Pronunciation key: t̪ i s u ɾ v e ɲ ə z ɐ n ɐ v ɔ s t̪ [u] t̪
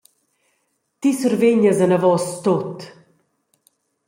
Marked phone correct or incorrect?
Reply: incorrect